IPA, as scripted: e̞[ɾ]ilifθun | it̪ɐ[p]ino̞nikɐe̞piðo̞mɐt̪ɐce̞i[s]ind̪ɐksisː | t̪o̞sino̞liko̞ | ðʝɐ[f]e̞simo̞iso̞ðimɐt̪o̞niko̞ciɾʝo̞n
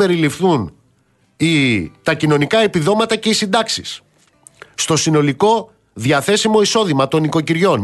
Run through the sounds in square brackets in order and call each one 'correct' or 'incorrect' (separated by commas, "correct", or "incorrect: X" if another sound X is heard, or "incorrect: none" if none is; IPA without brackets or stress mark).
correct, incorrect: c, correct, incorrect: θ